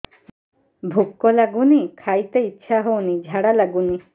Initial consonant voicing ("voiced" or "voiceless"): voiced